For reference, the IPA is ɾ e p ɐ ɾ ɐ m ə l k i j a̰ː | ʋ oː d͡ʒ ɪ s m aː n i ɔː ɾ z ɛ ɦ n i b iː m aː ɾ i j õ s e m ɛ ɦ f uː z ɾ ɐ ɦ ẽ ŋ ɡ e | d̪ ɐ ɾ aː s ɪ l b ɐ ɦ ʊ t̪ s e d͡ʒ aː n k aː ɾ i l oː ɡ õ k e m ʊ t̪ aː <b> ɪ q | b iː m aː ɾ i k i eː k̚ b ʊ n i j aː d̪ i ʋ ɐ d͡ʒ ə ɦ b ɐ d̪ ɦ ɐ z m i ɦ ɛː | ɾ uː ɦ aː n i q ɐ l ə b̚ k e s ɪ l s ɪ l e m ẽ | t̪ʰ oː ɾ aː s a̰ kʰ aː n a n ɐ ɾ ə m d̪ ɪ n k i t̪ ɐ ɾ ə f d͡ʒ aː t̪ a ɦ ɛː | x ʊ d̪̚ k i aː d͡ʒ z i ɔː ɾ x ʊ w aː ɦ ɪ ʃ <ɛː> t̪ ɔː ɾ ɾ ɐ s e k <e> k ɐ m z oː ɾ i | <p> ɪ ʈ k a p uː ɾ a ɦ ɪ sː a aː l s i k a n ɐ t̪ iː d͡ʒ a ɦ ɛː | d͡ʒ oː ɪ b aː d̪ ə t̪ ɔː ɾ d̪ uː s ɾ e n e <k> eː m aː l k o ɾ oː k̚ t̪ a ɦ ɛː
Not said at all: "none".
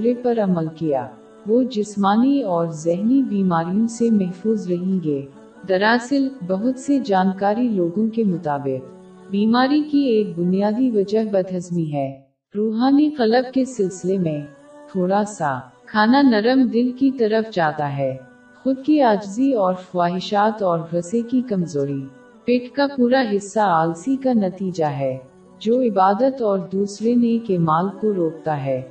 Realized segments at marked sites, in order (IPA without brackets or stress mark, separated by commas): b, aː, i, p, k